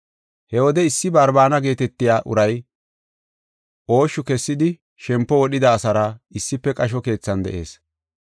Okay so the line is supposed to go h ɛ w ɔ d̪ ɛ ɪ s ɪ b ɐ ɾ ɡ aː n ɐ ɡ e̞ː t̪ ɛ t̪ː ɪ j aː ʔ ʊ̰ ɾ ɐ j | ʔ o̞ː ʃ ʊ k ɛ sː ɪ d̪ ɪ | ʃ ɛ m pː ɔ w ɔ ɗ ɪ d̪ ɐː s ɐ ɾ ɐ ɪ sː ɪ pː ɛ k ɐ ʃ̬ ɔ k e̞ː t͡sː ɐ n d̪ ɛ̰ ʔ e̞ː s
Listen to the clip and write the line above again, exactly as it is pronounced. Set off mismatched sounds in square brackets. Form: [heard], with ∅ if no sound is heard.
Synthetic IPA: h ɛ w ɔ d̪ ɛ ɪ [sː] ɪ b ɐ ɾ [b] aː n ɐ ɡ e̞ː t̪ ɛ t̪ː ɪ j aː ʔ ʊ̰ ɾ ɐ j | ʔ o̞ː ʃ ʊ k ɛ sː ɪ d̪ ɪ | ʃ ɛ m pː ɔ w ɔ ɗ ɪ d̪ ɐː s ɐ ɾ ɐ ɪ sː ɪ pː ɛ [kʼ] ɐ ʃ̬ ɔ k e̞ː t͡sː ɐ n d̪ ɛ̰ ʔ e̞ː s